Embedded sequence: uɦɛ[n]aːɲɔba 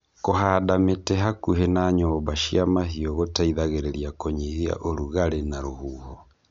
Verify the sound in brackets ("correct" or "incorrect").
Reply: correct